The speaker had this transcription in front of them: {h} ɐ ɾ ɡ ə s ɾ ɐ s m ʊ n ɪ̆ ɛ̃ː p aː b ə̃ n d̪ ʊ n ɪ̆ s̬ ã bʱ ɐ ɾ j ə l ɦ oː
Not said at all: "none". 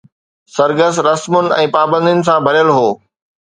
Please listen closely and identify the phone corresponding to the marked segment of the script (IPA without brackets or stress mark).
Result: s